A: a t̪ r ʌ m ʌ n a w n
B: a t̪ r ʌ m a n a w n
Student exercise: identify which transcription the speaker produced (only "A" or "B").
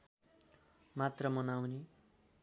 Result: A